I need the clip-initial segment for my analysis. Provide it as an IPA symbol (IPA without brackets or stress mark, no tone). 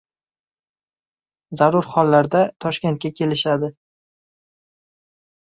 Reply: z